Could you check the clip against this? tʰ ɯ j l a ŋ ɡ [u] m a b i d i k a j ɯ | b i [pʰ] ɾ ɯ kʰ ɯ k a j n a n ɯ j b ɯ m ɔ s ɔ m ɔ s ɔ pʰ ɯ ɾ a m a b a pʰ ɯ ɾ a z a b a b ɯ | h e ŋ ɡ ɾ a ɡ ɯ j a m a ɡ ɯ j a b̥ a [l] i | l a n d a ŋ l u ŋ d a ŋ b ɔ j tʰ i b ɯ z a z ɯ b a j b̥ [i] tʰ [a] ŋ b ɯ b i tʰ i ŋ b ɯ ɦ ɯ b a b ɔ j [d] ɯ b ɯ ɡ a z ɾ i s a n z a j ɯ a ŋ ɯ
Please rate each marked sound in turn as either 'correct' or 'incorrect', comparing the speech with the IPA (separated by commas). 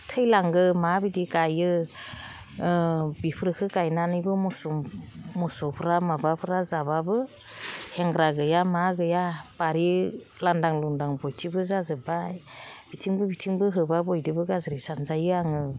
incorrect, correct, incorrect, correct, incorrect, correct